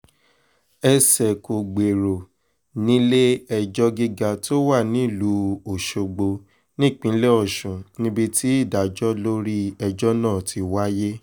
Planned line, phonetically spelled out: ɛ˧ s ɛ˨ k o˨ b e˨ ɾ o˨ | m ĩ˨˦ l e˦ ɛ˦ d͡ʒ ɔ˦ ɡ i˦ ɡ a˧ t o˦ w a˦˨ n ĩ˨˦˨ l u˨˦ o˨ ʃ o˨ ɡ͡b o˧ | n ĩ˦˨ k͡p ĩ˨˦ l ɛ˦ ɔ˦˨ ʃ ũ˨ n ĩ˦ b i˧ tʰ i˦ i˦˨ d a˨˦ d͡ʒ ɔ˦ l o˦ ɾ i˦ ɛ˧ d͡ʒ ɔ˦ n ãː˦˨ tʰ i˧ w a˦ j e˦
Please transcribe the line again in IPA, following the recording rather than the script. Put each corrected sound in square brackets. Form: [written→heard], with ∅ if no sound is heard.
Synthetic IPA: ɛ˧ s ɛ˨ k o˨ [b→ɡ͡b] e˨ ɾ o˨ | [m→n] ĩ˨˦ l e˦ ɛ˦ d͡ʒ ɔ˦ ɡ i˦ ɡ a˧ t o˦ w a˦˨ n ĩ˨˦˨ l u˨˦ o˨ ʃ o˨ ɡ͡b o˧ | n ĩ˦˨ k͡p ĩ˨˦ l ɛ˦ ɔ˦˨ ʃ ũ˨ n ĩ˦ b i˧ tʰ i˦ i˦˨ d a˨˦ d͡ʒ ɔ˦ l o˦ ɾ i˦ ɛ˧ d͡ʒ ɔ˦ n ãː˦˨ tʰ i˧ w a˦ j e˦